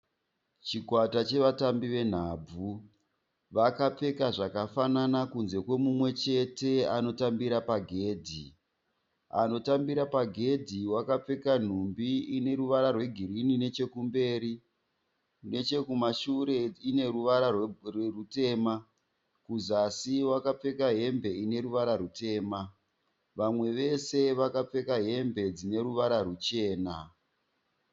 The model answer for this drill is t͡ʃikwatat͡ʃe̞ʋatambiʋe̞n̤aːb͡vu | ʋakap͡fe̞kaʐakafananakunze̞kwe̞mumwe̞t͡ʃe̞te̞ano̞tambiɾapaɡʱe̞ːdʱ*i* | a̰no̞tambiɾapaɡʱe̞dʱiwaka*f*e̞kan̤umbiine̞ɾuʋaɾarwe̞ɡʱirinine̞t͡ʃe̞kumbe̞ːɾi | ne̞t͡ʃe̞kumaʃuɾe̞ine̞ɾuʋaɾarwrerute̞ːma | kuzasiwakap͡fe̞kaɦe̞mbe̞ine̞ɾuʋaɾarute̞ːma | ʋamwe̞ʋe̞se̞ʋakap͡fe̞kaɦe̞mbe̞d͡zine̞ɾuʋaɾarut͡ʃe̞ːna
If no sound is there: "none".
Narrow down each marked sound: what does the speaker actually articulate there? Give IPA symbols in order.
i, p͡f

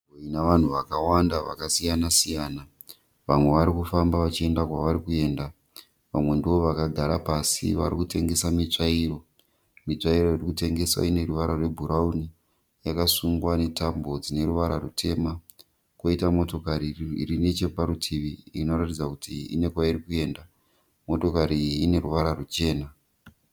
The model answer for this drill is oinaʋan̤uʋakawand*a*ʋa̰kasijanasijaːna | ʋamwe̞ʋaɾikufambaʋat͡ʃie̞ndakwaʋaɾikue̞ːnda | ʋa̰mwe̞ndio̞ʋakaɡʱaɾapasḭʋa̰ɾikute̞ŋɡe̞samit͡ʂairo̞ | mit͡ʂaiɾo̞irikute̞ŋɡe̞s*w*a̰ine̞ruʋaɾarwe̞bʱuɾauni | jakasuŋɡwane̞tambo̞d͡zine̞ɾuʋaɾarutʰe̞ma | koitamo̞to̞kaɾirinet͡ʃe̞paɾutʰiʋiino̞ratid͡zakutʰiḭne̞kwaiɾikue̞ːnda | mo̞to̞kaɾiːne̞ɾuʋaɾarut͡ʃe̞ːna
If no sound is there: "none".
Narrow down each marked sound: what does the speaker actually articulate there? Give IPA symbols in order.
a, w

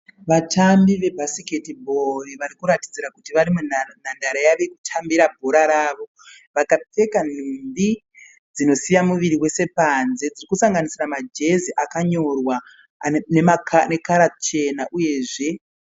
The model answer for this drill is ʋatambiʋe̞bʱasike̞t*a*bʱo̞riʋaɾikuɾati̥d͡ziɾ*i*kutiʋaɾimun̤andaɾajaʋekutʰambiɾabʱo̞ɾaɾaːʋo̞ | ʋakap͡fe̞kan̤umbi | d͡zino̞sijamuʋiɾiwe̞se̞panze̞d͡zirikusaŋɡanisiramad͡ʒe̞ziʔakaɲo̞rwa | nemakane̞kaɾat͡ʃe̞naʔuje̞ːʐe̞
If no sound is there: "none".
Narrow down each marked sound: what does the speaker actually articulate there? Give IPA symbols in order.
i, a

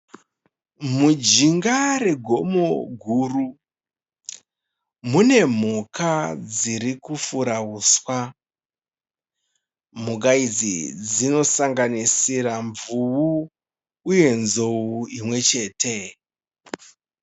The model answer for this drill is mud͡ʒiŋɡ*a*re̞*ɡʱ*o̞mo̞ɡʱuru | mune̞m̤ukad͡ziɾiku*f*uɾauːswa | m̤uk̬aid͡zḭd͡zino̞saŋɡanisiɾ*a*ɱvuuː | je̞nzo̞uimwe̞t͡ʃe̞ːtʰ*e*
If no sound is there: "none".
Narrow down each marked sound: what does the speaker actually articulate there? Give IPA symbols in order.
a, ɡʱ, f, a, e

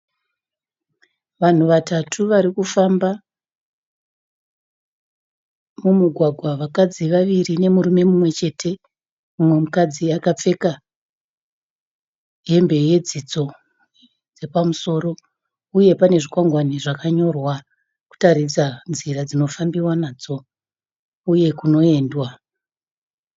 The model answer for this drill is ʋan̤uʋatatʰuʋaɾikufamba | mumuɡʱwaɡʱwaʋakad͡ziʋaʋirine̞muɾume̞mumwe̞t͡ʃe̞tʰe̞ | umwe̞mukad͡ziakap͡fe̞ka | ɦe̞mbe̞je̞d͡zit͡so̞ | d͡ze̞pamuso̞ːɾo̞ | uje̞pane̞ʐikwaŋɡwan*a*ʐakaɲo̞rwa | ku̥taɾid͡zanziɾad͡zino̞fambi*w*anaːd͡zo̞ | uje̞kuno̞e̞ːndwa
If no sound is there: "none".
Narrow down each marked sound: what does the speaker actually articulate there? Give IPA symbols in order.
i, w

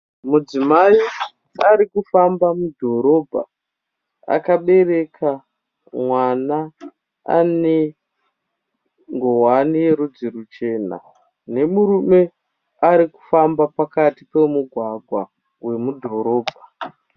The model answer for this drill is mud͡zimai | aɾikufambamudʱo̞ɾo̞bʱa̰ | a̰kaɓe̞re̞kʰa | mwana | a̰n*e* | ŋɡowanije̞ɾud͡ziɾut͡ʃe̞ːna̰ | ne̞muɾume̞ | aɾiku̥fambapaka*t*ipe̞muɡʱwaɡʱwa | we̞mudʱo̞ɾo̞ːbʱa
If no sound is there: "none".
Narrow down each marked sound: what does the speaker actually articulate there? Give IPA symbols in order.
e, t

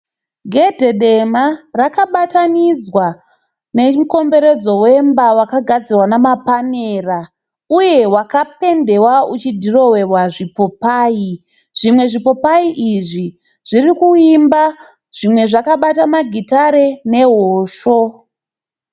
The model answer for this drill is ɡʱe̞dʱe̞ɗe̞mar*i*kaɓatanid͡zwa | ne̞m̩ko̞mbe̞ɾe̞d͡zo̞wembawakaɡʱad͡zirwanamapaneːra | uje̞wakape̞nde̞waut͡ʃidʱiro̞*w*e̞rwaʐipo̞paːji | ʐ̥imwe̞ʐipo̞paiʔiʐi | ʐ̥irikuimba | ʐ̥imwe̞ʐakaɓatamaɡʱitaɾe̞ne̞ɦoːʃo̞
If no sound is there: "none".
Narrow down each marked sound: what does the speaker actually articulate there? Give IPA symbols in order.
a, w

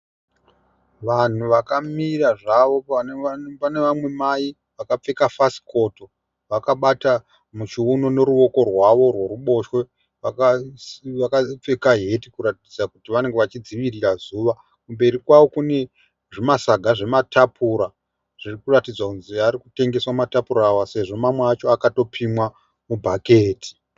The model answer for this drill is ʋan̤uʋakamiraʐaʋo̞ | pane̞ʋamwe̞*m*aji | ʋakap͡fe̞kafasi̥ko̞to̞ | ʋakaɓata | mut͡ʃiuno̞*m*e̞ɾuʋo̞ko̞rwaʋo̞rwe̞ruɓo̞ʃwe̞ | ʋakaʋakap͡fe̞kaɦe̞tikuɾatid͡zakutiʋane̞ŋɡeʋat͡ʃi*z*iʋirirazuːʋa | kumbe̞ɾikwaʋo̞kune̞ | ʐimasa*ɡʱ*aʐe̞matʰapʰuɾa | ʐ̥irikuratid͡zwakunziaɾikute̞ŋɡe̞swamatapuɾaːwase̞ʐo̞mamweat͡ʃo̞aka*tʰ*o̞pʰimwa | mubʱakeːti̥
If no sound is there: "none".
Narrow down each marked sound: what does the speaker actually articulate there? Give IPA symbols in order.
m, n, d͡z, ɡʱ, t

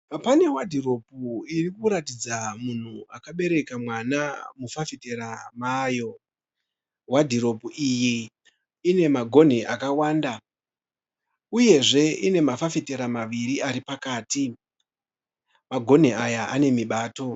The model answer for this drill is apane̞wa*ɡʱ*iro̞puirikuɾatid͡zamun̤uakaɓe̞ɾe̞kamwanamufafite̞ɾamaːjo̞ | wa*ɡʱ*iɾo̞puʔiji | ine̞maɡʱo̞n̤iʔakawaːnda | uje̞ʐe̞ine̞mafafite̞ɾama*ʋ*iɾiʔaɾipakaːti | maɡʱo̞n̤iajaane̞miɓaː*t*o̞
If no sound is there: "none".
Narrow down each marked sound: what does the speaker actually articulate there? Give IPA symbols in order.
dʱ, dʱ, ʋ, t

